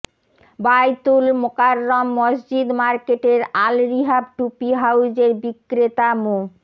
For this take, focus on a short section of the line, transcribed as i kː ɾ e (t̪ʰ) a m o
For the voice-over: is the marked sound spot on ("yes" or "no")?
no